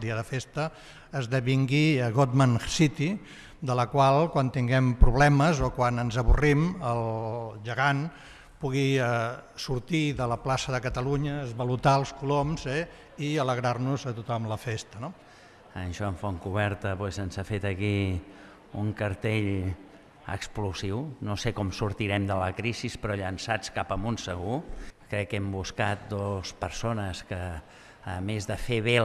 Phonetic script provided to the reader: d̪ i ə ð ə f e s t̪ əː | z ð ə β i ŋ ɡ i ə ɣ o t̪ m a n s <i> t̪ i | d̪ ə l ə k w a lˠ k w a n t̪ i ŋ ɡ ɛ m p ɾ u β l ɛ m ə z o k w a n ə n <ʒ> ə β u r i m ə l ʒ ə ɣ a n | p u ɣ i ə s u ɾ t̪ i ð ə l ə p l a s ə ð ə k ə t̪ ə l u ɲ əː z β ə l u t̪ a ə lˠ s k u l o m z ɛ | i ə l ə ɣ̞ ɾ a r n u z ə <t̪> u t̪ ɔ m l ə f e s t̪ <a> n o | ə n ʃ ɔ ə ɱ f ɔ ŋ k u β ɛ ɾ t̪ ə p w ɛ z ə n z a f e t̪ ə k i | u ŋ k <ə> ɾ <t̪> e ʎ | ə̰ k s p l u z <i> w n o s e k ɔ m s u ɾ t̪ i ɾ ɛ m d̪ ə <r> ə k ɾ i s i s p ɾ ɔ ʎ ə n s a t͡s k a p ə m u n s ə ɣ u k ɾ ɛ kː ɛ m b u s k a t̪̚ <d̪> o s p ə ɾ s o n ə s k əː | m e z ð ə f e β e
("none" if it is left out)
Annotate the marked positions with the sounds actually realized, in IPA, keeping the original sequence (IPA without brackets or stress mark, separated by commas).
i, z, t̪, ə, ə, t̪, i, l, d̪